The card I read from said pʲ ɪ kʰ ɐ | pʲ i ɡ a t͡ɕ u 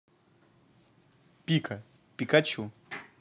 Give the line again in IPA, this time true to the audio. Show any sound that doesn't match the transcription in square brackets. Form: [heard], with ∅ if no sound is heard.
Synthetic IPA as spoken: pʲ [i] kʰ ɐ | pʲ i [k] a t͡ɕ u